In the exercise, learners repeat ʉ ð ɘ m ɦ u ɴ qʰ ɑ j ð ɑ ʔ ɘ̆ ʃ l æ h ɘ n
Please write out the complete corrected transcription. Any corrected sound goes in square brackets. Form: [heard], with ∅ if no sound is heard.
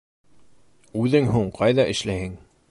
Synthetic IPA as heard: ʉ ð ɘ [ŋ] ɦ u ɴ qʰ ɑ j ð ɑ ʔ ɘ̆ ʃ l æ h ɘ [ŋ]